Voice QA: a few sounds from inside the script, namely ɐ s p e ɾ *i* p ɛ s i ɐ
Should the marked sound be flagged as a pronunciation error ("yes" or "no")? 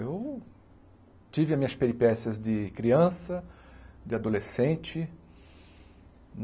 no